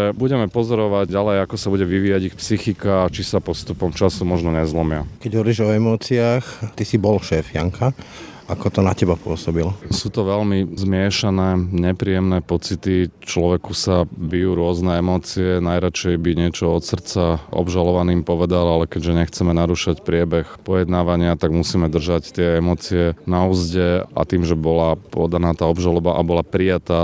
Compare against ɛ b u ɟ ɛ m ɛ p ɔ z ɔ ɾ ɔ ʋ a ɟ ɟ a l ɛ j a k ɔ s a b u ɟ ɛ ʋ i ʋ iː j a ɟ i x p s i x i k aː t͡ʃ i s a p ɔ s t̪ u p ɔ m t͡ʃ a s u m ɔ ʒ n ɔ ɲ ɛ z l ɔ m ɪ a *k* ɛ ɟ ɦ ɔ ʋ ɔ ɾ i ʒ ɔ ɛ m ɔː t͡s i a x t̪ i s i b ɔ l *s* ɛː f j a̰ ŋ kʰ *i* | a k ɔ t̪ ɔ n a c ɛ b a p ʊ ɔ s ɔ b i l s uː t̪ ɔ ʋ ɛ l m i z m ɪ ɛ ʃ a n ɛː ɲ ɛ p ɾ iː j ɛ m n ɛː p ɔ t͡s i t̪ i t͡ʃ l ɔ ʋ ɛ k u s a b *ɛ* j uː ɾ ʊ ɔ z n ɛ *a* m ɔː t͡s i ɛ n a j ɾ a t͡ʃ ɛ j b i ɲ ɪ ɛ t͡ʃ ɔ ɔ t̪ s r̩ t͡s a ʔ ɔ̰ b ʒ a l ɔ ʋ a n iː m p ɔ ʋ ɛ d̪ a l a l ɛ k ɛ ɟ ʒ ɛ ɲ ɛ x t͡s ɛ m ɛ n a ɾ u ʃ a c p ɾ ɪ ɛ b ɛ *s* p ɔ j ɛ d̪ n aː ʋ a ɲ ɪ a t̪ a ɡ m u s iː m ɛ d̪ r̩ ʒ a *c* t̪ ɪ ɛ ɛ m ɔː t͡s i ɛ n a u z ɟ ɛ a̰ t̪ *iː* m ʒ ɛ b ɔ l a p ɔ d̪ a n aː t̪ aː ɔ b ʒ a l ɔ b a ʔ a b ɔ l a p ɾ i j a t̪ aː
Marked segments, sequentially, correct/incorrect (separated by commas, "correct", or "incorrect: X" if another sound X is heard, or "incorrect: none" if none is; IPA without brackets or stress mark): correct, incorrect: ʃ, incorrect: a, incorrect: i, incorrect: ɛ, incorrect: x, correct, correct